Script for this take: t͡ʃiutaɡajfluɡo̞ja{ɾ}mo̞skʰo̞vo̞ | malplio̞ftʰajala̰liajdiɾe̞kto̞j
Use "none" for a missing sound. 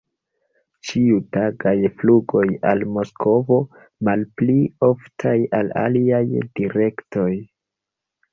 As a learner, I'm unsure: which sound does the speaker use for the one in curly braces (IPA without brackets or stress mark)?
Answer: l